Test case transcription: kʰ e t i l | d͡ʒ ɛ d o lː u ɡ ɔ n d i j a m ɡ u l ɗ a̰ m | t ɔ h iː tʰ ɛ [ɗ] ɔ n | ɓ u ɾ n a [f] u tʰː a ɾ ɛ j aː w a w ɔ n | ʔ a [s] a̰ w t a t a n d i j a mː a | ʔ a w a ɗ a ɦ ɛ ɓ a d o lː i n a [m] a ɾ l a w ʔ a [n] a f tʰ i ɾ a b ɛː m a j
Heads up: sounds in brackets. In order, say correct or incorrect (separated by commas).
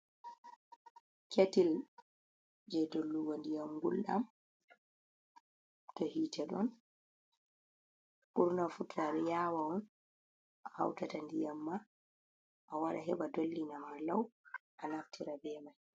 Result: correct, correct, incorrect, correct, correct